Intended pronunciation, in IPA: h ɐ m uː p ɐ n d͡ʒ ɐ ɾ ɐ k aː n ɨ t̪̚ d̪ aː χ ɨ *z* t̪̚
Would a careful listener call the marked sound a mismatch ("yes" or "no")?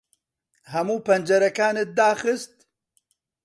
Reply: yes